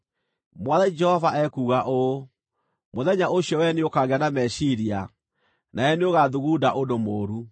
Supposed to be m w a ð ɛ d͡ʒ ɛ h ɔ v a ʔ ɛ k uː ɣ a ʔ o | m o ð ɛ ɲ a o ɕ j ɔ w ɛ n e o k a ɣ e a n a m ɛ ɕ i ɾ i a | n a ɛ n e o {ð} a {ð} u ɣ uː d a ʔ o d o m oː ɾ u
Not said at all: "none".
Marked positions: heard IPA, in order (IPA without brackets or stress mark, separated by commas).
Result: ɣ, ð